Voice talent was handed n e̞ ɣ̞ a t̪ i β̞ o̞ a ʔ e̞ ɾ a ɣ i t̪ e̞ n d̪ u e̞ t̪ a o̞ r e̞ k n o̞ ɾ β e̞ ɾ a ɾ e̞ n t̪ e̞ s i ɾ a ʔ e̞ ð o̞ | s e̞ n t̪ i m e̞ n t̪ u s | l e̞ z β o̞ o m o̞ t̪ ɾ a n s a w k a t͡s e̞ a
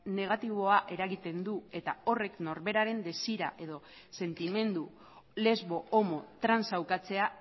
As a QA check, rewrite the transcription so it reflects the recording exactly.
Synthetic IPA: n e̞ ɣ̞ a t̪ i β̞ o̞ a ʔ e̞ ɾ a ɣ i t̪ e̞ n d̪ u e̞ t̪ a o̞ r e̞ k n o̞ ɾ β e̞ ɾ a ɾ e̞ n d̪ e̞ s i ɾ a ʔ e̞ ð o̞ | s e̞ n t̪ i m e̞ n d̪ u | l e̞ z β o̞ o m o̞ t̪ ɾ a n s a w k a t͡s e̞ a